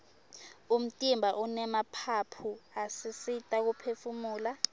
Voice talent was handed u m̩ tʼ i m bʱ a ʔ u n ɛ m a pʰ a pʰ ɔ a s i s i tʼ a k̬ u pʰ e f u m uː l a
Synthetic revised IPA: u m̩ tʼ i m bʱ a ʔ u n ɛ m a pʰ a pʰ u a s i s i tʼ a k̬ u pʰ e f u m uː l a